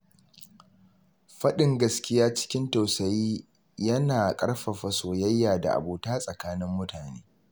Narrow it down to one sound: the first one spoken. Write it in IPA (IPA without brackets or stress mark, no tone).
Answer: ɸ